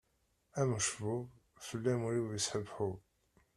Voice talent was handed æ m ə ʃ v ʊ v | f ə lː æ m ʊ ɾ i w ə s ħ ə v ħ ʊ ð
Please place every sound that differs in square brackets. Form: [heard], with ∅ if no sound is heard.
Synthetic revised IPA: æ m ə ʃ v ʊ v | f ə lː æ m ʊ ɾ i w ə s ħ ə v ħ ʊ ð